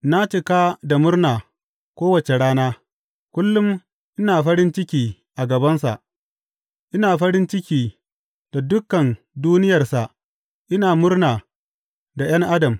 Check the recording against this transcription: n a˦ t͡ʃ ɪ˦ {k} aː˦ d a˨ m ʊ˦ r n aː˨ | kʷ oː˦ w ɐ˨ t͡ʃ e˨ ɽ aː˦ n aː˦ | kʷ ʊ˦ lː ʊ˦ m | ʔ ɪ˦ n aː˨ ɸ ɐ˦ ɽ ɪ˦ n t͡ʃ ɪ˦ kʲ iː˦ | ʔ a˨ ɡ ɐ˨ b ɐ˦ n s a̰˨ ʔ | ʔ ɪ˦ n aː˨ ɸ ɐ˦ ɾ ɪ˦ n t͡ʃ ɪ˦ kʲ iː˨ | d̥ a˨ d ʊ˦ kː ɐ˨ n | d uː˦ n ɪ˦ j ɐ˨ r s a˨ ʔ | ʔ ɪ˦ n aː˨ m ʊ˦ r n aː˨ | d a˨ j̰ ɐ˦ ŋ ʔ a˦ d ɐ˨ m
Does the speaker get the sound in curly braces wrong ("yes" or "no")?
no